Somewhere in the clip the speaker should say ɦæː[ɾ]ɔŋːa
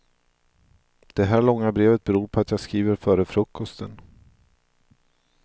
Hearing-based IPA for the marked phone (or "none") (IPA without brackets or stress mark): ɭ